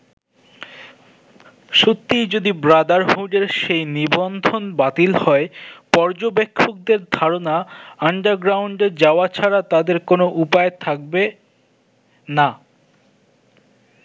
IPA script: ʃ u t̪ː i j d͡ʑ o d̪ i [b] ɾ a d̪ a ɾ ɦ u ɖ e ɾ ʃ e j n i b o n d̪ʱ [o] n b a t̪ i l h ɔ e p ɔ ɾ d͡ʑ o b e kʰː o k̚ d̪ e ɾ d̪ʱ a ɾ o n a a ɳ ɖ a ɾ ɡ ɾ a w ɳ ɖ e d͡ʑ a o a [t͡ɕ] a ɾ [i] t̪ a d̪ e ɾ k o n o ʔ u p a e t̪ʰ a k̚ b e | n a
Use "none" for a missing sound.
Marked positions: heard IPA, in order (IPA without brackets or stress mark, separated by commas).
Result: b, o, t͡ɕʰ, a